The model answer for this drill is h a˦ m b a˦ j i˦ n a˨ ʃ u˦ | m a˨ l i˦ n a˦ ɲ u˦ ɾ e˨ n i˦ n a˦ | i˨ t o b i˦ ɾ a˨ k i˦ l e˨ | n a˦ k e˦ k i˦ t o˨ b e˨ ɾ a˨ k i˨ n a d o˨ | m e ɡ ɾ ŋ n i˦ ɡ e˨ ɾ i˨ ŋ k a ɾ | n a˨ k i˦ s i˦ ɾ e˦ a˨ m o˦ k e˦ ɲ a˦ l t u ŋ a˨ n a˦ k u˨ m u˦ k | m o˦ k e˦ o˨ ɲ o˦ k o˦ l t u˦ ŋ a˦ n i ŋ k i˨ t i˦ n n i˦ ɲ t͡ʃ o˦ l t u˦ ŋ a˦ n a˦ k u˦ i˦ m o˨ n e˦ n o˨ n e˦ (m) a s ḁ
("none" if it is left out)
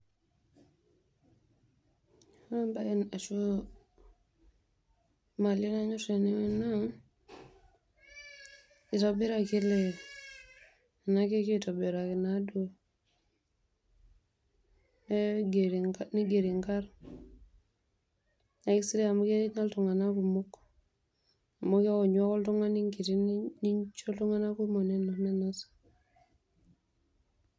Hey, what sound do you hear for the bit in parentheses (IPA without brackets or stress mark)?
n